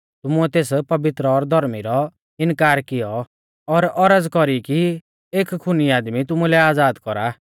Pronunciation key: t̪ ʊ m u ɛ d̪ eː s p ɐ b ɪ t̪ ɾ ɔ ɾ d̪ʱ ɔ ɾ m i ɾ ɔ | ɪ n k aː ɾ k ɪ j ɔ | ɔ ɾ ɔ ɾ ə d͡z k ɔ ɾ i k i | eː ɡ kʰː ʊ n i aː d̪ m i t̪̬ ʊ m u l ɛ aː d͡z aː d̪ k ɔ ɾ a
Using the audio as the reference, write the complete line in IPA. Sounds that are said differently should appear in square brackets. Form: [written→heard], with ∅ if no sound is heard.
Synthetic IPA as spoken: t̪ ʊ m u ɛ [d̪→t̪] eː s p ɐ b ɪ t̪ ɾ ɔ ɾ d̪ʱ ɔ ɾ m i ɾ ɔ | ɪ n k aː ɾ k ɪ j ɔ | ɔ ɾ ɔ ɾ ə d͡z k ɔ ɾ i k i | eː [ɡ→k] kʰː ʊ n i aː d̪ m i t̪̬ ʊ m u l ɛ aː d͡z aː d̪ k ɔ ɾ a